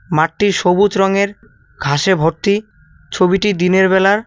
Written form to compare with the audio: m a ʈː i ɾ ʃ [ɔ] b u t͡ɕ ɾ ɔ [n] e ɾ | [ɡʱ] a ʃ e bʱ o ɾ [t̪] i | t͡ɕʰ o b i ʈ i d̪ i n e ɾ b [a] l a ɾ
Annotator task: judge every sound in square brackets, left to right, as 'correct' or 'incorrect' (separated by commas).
incorrect, incorrect, correct, correct, incorrect